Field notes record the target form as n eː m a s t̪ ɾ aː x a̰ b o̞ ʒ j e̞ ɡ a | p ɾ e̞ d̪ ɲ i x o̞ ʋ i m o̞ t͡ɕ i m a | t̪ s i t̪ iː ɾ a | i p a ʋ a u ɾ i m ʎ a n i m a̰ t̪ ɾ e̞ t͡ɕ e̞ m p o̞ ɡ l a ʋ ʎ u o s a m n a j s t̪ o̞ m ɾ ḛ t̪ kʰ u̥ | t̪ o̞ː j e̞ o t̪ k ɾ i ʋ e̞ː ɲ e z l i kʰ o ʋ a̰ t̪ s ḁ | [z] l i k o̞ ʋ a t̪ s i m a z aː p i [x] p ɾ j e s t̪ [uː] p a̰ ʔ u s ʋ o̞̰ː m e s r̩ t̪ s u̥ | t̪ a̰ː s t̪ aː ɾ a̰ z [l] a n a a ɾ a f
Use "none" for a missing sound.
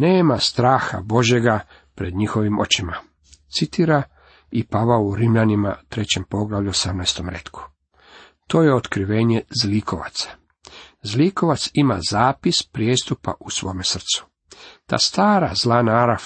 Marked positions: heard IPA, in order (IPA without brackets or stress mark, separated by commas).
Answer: z, s, u, l